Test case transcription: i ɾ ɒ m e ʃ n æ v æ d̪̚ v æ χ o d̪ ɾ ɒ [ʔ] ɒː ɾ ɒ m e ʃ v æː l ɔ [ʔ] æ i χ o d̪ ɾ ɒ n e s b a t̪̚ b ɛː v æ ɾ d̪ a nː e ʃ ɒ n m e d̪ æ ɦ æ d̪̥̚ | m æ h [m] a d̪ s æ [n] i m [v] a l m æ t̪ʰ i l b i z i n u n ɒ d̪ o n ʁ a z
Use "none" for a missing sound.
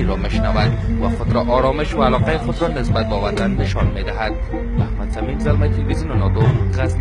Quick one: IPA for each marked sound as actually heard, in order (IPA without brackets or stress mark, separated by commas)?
ʔ, q, m, m, z